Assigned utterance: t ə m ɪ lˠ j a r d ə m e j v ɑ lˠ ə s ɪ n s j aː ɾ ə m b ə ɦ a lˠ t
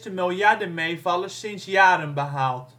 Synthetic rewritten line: t ə m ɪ lˠ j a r d ə m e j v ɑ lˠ ə s ɪ n s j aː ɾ ə n b ə ɦ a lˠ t